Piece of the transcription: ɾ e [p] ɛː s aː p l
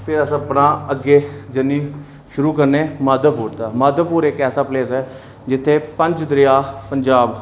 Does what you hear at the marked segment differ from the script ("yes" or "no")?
yes